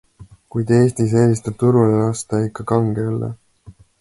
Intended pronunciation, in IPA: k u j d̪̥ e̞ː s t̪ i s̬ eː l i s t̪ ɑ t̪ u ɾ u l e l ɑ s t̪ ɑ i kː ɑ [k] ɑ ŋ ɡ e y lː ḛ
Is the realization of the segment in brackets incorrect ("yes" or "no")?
no